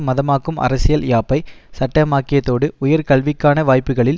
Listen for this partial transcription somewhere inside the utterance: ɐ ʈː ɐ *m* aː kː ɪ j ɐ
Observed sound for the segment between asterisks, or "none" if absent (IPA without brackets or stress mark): m